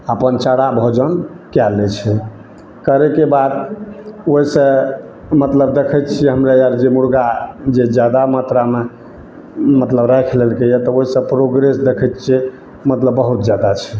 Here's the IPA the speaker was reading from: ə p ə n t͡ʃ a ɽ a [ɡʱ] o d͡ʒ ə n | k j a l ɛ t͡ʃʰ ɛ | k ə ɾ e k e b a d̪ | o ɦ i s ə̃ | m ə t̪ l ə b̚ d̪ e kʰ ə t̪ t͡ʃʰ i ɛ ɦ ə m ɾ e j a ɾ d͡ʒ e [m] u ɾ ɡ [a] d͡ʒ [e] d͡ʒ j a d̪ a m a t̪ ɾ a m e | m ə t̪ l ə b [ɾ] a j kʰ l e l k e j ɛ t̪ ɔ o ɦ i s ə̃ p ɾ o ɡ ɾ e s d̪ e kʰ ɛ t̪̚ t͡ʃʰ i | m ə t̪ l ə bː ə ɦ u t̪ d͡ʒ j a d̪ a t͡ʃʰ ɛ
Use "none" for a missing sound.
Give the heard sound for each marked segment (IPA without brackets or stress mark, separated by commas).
bʱ, m, a, e, ɾ